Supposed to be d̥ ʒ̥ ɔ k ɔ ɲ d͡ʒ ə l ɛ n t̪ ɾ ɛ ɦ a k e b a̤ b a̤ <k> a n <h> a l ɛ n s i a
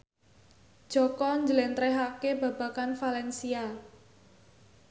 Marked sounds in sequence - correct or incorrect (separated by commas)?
correct, incorrect